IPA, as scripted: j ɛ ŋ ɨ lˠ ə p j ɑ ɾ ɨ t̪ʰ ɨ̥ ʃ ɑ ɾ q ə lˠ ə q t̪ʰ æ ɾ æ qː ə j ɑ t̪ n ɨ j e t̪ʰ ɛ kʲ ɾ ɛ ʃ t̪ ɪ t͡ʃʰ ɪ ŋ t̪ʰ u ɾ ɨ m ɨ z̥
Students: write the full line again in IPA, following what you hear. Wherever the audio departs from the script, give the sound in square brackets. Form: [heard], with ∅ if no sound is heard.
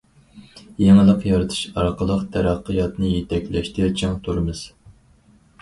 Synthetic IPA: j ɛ ŋ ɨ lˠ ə [q] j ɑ ɾ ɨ t̪ʰ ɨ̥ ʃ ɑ ɾ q ə lˠ ə q t̪ʰ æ ɾ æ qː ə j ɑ t̪ n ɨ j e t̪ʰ ɛ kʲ [l] ɛ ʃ t̪ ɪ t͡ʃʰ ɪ ŋ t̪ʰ u ɾ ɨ m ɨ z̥